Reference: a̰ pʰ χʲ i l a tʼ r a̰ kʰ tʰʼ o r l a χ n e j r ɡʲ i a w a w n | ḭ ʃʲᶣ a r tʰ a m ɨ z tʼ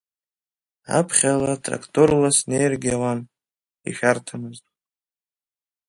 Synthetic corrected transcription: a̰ pʰ χʲ a l a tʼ r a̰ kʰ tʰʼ o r l a s n e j r ɡʲ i a w a n | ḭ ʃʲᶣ a r tʰ a m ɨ z tʼ

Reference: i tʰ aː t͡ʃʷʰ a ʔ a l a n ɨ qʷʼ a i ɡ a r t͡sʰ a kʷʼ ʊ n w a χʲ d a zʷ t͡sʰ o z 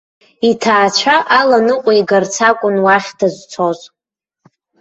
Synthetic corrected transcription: i tʰ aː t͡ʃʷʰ a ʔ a l a n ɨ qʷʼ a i ɡ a r t͡sʰ a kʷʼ ʊ n w a χʲ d a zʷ t͡sʰ o z

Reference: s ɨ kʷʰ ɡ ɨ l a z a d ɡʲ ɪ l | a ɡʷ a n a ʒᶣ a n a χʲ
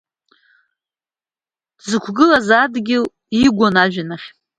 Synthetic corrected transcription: z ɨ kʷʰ ɡ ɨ l a z a d ɡʲ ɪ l | i ɡʷ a n a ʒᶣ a n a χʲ

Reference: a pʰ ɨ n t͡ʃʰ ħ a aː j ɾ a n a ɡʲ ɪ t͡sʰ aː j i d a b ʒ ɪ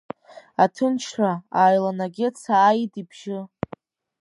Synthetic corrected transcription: a tʰ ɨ n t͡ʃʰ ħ a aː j l a n a ɡʲ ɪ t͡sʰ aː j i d i b ʒ ɪ

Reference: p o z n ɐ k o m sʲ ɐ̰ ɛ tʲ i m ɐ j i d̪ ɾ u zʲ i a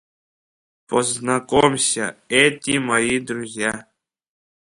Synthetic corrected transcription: p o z n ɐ k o m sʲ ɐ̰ ɛ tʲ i m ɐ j i d̪ ɾ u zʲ j a

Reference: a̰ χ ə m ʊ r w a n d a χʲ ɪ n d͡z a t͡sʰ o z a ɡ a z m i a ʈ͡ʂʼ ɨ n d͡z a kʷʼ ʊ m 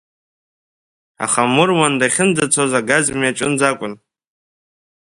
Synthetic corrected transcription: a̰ χ a m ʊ r w a n d a χʲ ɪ n d͡z a t͡sʰ o z a ɡ a z m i a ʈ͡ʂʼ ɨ n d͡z a kʷʼ ʊ n

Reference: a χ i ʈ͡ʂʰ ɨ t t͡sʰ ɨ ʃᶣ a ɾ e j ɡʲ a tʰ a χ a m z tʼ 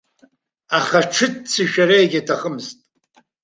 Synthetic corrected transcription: a χ a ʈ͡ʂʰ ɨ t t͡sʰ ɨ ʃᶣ a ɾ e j ɡʲ a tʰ a χ ə m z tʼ

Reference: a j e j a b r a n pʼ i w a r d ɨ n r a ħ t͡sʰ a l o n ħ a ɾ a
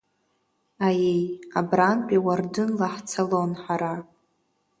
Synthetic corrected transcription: a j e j a b r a n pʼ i w a r d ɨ n l a ħ t͡sʰ a l o n ħ a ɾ a

